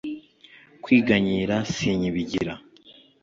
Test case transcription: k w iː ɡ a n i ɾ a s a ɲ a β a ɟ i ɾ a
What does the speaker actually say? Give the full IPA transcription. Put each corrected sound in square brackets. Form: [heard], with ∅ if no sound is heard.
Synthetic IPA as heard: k w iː ɡ a [ɲ] i ɾ a s [i] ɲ [i] β [i] ɟ i ɾ a